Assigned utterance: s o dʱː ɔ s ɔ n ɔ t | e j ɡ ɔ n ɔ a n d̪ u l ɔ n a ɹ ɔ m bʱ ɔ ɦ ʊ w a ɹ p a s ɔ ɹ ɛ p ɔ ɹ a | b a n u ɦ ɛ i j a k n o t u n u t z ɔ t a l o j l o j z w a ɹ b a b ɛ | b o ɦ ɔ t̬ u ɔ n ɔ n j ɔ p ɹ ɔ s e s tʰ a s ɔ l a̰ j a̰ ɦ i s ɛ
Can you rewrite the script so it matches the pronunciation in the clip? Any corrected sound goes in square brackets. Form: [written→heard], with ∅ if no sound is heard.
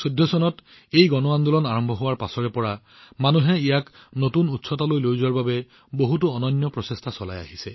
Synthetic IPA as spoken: s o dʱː ɔ s ɔ n ɔ t | e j ɡ ɔ n ɔ a n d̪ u l ɔ n a ɹ ɔ m bʱ ɔ ɦ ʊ w a ɹ p a s ɔ ɹ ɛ p ɔ ɹ a | [b→m] a n u ɦ ɛ i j a k n o t u n u t [z→s] ɔ t a l o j l o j z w a ɹ b a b ɛ | b o ɦ [ɔ→u] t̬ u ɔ n ɔ n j ɔ p ɹ ɔ s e s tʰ a s ɔ l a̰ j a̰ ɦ i s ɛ